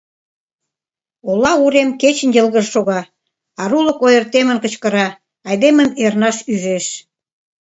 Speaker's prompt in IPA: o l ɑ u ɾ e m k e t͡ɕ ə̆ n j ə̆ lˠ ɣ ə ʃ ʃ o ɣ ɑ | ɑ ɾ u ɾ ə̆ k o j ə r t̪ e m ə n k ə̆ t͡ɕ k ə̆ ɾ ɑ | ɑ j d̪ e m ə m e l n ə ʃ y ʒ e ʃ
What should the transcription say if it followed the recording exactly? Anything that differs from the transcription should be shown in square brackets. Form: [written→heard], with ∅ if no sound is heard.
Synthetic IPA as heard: o l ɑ u ɾ e m k e t͡ɕ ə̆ n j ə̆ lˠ ɣ ə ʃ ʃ o ɣ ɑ | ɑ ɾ u [ɾ→l] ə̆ k o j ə r t̪ e m ə n k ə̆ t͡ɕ k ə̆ ɾ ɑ | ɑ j d̪ e m ə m e [l→r] n [ə→ɑ] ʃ y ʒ e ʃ

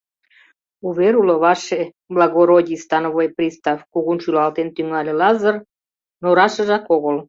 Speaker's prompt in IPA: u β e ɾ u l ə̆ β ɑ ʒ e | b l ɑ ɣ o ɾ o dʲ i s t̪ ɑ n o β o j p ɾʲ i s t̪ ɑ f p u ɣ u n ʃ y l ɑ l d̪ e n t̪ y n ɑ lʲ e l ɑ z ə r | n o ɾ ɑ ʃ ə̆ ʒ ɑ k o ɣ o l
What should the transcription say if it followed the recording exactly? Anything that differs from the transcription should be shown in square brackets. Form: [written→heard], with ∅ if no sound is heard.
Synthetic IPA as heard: u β e ɾ u l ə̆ β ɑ [ʒ→ʃ] e | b l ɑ ɣ o ɾ o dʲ i s t̪ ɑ n o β o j p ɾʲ i s t̪ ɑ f [p→k] u ɣ u n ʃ y l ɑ l [d̪→t̪] e n t̪ y [n→ŋ] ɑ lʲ e l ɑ z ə r | n o ɾ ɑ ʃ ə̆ ʒ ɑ k o ɣ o l

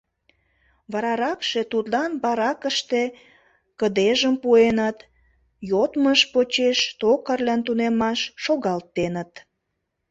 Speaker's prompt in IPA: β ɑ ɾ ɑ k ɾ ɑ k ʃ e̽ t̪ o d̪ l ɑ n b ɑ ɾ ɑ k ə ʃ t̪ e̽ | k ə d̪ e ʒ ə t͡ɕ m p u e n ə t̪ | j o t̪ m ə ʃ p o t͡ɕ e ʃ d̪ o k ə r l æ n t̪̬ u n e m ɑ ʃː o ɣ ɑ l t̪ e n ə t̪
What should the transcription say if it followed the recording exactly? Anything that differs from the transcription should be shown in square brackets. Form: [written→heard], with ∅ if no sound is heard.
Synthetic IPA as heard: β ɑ ɾ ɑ [k→∅] ɾ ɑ k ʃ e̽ t̪ [o→u] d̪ l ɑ n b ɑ ɾ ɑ k ə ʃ t̪ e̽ | k ə d̪ e ʒ ə [t͡ɕ→∅] m p u e n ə t̪ | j o t̪ m ə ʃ p o t͡ɕ e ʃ [d̪→t̪] o k ə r l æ n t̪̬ u n e m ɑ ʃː o ɣ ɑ l t̪ e n ə t̪

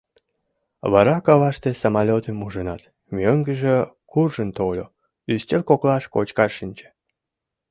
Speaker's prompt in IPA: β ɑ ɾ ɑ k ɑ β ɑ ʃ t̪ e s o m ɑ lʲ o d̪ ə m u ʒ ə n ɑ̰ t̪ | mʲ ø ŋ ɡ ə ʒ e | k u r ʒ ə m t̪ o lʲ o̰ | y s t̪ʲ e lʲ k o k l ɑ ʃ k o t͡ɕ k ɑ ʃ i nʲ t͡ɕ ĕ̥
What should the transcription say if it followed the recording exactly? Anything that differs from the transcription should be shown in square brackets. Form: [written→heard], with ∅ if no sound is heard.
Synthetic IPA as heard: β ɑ ɾ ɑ k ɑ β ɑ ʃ t̪ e s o m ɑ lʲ o [d̪→t̪] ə m u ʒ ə n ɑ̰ t̪ | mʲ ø ŋ ɡ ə ʒ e | k u r ʒ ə [m→n] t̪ o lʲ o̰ | y s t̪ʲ e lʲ k o k l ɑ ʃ k o t͡ɕ k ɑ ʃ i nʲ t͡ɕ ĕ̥

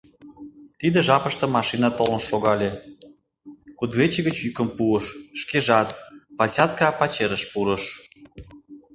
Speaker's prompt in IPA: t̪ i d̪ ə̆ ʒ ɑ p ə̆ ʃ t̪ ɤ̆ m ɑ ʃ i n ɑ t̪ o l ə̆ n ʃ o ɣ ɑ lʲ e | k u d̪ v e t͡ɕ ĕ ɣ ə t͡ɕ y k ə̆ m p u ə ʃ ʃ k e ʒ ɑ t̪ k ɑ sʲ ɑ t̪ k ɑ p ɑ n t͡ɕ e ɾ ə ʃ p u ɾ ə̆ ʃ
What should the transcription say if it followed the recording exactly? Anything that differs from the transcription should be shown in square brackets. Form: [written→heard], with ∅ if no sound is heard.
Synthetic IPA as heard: t̪ i d̪ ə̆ ʒ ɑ p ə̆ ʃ t̪ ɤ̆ m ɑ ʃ i n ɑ t̪ o l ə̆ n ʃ o ɣ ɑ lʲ e | k u d̪ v e t͡ɕ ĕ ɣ ə t͡ɕ y k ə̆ m p u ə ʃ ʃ k e ʒ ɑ t̪ [k→p] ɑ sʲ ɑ t̪ k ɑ p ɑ [n→∅] t͡ɕ e ɾ ə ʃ p u ɾ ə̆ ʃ

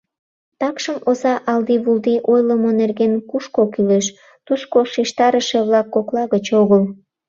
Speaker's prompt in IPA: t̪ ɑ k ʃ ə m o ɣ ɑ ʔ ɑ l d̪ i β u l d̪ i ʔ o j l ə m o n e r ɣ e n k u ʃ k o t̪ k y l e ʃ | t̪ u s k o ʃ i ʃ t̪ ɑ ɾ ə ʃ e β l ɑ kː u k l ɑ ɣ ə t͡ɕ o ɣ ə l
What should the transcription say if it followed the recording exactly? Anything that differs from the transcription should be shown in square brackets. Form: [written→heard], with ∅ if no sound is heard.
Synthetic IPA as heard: t̪ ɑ k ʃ ə m o [ɣ→z] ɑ ʔ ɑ l d̪ i β u l d̪ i ʔ o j l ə m o n e r ɣ e n k u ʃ k o [t̪→∅] k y l e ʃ | t̪ u s k o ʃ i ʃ t̪ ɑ ɾ ə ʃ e β l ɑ kː [u→o] k l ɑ ɣ ə t͡ɕ o ɣ ə l

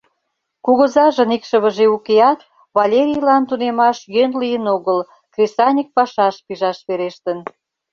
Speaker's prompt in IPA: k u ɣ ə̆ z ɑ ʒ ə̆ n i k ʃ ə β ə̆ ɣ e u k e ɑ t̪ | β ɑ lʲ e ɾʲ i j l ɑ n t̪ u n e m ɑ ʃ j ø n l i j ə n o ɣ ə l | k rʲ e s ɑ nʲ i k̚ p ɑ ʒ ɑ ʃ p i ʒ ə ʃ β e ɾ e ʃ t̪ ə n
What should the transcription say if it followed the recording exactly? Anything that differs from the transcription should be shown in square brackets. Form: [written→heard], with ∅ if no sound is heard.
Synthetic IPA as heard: k u ɣ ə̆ z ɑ ʒ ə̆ n i k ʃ ə β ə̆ [ɣ→ʒ] e u k e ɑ t̪ | β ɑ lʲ e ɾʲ i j l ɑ n t̪ u n e m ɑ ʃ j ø n l i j ə n o ɣ ə l | k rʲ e s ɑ nʲ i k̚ p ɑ [ʒ→ʃ] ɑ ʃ p i ʒ [ə→ɑ] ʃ β e ɾ e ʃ t̪ ə n

